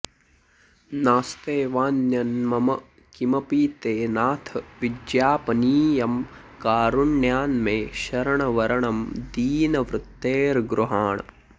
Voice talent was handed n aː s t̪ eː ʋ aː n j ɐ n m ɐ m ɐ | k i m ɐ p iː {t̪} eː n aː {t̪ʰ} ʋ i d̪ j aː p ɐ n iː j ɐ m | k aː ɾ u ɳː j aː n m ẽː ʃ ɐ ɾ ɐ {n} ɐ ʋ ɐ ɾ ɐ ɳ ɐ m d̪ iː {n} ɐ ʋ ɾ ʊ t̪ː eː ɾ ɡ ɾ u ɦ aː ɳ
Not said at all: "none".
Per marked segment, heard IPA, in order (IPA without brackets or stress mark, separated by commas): t̪, t̪ʰ, ɳ, n